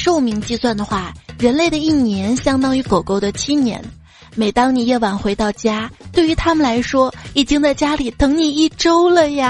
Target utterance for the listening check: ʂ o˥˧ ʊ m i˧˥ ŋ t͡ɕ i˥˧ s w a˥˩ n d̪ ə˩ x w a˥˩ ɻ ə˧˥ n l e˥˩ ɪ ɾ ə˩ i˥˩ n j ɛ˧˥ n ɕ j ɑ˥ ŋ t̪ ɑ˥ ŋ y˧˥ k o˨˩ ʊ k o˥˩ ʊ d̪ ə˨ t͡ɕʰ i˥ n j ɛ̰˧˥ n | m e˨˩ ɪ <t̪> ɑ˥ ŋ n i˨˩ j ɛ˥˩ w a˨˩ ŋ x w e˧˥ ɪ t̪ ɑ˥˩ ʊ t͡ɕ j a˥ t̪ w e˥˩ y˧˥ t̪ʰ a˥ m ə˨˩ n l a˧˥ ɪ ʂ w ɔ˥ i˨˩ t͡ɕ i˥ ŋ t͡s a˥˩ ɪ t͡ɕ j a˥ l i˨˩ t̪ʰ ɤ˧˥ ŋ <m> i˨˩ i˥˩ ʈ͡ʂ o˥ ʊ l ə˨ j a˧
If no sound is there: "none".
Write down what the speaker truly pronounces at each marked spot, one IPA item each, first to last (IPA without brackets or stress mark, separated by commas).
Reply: t̪, n